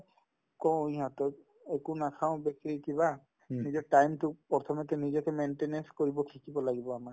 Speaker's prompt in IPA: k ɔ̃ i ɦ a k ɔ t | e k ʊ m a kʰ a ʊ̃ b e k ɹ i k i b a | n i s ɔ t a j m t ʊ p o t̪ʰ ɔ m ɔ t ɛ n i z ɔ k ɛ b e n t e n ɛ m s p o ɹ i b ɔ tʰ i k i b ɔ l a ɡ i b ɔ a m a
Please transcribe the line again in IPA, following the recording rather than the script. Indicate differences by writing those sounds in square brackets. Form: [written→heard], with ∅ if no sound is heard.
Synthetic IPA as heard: k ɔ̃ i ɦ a [k→t] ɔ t | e k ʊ [m→n] a kʰ a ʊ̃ b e k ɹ i k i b a | n i [s→z] ɔ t a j m t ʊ p [o→ɔ] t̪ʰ ɔ m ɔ t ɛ n i z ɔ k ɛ [b→m] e n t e n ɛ [m→n] s [p→k] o ɹ i b ɔ [tʰ→kʰ] i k i b ɔ l a ɡ i b ɔ a m a

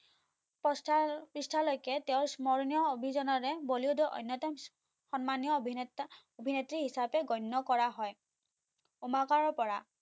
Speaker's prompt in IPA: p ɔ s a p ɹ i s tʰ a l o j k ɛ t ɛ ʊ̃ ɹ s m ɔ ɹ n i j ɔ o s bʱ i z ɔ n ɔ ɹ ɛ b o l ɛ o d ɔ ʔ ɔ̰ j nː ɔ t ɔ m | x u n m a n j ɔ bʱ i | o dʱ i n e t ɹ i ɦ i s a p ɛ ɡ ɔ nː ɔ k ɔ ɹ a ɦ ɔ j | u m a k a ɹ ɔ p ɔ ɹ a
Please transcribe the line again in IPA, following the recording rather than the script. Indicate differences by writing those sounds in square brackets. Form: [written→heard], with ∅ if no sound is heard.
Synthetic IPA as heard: p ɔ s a p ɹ i s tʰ a l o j k ɛ t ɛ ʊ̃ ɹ s m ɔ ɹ n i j ɔ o [s→∅] bʱ i z ɔ n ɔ ɹ ɛ b o l [ɛ→i] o d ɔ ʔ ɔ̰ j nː ɔ t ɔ m | x [u→ɔ] n m a n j ɔ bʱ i | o [dʱ→bʱ] i n e t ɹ i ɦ i s a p ɛ ɡ ɔ nː ɔ k ɔ ɹ a ɦ ɔ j | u m a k a ɹ ɔ p ɔ ɹ a

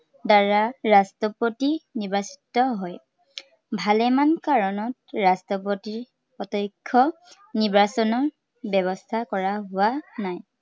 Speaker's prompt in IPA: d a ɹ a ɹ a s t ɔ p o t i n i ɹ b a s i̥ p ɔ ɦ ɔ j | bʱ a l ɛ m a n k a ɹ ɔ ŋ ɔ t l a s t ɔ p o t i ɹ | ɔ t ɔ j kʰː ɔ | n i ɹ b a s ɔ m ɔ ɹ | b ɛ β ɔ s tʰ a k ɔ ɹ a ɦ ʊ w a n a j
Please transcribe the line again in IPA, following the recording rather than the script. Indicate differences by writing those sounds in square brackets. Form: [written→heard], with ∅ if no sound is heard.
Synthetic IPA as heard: d a ɹ a ɹ a s t ɔ p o t i n i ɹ b a s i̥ [p→t] ɔ ɦ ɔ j | bʱ a l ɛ m a n k a ɹ ɔ [ŋ→n] ɔ t [l→ɹ] a s t ɔ p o t i ɹ | ɔ t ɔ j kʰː ɔ | n i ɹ b a s ɔ [m→n] ɔ ɹ | b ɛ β ɔ s tʰ a k ɔ ɹ a ɦ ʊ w a n a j

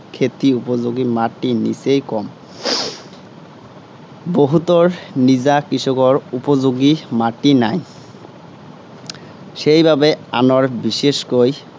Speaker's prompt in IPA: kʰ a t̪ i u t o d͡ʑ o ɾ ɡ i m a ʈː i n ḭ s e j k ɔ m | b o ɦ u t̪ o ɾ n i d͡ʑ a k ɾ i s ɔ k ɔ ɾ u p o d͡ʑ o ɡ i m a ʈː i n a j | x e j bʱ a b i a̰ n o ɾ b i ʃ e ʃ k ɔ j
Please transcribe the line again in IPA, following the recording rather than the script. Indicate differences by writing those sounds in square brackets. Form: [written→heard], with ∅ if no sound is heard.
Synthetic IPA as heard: kʰ [a→e] t̪ i u [t→p] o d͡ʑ o [ɾ→∅] ɡ i m a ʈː i n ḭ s e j k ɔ m | b o ɦ u t̪ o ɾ n i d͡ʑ a k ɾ i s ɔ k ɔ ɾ u p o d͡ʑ o ɡ i m a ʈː i n a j | [x→ʃ] e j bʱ a b [i→e] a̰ n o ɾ b i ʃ e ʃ k [ɔ→o] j

